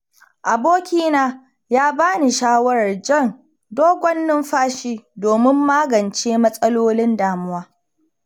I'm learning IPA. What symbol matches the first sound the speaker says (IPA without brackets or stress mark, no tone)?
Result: ʔ